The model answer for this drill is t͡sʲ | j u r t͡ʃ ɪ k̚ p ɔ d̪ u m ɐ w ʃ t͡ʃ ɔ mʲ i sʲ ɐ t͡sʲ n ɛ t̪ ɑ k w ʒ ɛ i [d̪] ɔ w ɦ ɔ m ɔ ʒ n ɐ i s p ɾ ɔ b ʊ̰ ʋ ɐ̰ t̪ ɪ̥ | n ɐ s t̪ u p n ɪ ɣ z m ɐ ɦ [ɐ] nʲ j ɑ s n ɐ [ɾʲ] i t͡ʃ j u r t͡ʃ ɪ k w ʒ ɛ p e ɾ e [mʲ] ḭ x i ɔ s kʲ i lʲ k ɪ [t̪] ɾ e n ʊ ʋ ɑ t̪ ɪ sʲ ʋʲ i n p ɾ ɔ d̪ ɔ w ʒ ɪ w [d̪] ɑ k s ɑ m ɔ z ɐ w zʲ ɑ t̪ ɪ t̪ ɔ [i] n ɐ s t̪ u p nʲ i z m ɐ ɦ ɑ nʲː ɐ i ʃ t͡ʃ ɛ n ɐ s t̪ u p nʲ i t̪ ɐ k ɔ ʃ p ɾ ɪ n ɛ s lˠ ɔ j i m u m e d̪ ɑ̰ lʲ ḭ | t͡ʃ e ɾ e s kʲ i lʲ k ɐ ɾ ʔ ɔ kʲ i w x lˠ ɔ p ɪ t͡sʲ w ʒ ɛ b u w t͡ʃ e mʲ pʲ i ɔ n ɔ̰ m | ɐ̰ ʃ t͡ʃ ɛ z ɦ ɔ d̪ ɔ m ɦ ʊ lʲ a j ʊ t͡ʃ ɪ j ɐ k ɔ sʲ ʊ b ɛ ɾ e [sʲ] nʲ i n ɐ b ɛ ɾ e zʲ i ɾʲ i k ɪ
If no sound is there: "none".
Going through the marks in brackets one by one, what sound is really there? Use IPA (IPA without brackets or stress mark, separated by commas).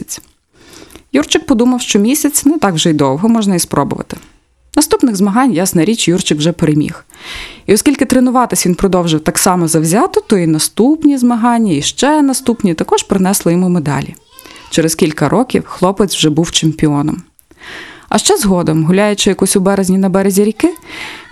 d̪, ɑ, ɾʲ, mʲ, t̪, t̪, i, zʲ